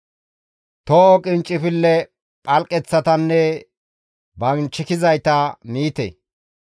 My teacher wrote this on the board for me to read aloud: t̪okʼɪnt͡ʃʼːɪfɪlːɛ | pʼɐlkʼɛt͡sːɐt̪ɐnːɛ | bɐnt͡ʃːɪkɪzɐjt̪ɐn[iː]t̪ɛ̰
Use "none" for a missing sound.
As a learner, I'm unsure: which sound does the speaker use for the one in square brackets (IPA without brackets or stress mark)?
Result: iː